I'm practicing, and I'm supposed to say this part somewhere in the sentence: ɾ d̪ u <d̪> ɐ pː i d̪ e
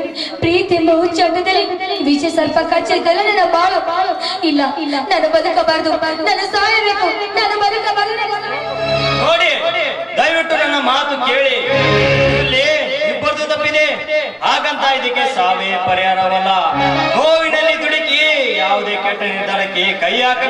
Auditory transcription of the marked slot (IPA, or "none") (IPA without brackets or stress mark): t̪